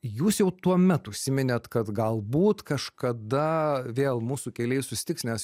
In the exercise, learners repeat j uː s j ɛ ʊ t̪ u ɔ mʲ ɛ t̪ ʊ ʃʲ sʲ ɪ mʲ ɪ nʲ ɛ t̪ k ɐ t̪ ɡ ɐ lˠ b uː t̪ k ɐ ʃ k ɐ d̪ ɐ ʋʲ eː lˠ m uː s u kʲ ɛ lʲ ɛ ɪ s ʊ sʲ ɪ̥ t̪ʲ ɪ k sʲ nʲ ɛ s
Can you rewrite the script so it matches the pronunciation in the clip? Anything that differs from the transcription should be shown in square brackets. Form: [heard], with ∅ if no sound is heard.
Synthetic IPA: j uː s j ɛ ʊ t̪ u ɔ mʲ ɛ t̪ ʊ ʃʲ sʲ ɪ mʲ ɪ nʲ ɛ t̪ k ɐ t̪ ɡ ɐ lˠ b uː t̪ k ɐ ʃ k ɐ d̪ ɐ ʋʲ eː lˠ m uː s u kʲ ɛ lʲ ɛ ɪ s ʊ sʲ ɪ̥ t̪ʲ ɪ k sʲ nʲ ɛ s

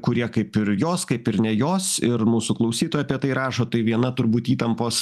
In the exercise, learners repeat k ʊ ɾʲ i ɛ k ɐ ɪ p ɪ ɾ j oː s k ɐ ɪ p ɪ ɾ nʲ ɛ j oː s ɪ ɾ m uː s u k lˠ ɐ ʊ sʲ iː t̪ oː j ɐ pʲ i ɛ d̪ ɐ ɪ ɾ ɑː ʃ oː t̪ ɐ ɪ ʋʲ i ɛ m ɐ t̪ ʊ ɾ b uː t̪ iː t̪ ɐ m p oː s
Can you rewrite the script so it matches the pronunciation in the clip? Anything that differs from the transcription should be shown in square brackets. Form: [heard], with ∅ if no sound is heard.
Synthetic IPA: k ʊ ɾʲ i ɛ k ɐ ɪ p ɪ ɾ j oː s k ɐ ɪ p ɪ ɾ nʲ ɛ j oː s ɪ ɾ m uː s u k lˠ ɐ ʊ sʲ iː t̪ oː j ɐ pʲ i ɛ [t̪] ɐ ɪ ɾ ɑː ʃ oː t̪ ɐ ɪ ʋʲ i ɛ [n] ɐ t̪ ʊ ɾ b uː t̪ iː t̪ ɐ m p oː s

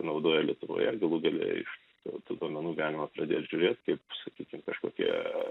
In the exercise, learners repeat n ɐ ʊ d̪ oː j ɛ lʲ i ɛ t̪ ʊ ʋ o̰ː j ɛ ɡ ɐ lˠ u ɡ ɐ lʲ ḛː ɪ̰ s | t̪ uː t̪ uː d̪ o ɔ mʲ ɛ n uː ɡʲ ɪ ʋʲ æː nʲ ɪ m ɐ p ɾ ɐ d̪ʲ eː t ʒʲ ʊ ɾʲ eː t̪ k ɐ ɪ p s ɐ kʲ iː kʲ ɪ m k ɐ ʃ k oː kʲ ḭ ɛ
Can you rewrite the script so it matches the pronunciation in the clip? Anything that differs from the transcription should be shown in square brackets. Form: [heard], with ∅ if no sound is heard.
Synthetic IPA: n ɐ ʊ d̪ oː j ɛ lʲ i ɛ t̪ ʊ ʋ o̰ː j ɛ ɡ ɐ lˠ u ɡ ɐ lʲ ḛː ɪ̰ [ʃ] | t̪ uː t̪ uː d̪ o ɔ mʲ ɛ n uː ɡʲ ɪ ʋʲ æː nʲ ɪ m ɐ p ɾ ɐ d̪ʲ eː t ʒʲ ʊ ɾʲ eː t̪ k ɐ ɪ p s ɐ kʲ iː kʲ ɪ m k ɐ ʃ k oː kʲ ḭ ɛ

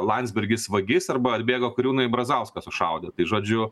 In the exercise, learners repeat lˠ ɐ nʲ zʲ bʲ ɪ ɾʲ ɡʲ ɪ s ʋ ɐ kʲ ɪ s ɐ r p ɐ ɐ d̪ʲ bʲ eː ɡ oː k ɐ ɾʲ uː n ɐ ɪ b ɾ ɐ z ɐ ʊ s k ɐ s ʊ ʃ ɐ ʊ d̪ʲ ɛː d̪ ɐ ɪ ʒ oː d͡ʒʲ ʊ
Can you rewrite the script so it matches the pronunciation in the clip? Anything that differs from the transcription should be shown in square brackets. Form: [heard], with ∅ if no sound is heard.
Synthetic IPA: lˠ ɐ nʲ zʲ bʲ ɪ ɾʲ ɡʲ ɪ s ʋ ɐ [ɡʲ] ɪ s ɐ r [b] ɐ ɐ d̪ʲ bʲ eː ɡ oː k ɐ ɾʲ uː n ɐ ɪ b ɾ ɐ z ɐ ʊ s k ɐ s ʊ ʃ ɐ ʊ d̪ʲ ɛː [t̪] ɐ ɪ ʒ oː d͡ʒʲ ʊ

